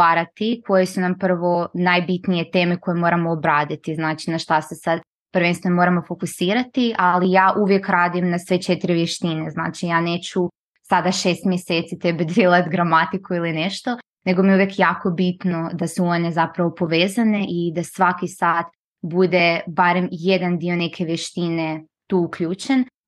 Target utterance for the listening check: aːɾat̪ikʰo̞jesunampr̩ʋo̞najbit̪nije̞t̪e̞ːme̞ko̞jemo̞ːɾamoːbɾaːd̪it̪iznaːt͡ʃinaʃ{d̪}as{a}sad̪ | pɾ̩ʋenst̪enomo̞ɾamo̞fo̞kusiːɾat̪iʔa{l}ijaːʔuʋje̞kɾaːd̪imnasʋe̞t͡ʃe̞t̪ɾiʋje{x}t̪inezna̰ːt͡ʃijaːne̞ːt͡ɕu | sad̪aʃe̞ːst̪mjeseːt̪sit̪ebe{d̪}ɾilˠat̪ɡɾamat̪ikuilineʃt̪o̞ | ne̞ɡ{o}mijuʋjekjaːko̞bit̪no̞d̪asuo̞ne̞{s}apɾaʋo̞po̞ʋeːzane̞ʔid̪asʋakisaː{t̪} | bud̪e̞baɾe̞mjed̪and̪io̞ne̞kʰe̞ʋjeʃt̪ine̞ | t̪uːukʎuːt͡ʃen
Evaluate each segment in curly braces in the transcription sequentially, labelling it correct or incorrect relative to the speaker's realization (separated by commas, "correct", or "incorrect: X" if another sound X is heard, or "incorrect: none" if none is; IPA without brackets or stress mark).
incorrect: t̪, incorrect: e, correct, incorrect: ʃ, correct, correct, incorrect: z, correct